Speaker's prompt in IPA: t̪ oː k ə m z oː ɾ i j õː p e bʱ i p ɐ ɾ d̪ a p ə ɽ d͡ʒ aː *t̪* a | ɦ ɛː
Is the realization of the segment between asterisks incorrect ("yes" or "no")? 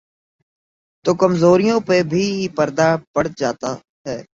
no